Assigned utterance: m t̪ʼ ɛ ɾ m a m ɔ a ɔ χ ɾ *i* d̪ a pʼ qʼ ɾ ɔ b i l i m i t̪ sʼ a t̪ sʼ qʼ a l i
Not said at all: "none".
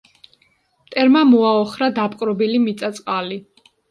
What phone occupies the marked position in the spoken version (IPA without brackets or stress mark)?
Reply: a